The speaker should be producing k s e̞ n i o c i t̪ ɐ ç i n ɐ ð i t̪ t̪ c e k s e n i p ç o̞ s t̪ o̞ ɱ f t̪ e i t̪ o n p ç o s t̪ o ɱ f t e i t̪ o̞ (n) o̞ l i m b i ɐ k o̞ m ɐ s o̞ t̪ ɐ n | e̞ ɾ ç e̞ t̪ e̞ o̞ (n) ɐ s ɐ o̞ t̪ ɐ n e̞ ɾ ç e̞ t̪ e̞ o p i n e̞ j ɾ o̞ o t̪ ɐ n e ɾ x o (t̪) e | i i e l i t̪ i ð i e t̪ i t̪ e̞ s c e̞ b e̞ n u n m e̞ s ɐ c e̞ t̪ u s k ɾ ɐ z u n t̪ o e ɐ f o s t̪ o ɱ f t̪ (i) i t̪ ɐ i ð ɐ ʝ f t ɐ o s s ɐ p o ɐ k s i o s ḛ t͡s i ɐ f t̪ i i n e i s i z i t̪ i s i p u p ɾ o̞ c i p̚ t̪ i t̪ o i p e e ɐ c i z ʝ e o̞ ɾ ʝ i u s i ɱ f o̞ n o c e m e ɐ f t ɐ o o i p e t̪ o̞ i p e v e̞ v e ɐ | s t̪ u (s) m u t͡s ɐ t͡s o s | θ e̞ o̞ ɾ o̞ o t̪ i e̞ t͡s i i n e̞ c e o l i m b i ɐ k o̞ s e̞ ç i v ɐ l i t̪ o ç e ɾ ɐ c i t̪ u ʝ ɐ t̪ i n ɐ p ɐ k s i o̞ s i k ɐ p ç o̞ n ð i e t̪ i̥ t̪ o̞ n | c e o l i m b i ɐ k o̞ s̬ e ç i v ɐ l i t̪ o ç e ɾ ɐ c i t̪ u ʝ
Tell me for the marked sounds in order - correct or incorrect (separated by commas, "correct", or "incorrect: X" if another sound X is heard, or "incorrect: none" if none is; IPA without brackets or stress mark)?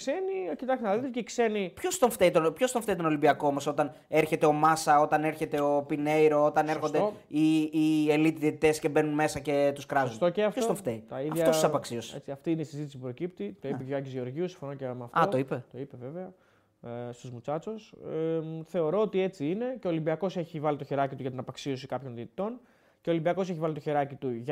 correct, incorrect: m, incorrect: d̪, incorrect: e, incorrect: z